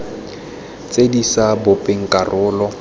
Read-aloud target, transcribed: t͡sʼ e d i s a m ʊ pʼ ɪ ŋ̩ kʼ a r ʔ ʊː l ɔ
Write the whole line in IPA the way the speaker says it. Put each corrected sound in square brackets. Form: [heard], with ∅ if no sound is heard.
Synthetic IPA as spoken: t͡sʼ e d i s a [b] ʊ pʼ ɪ ŋ̩ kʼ a r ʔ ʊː l ɔ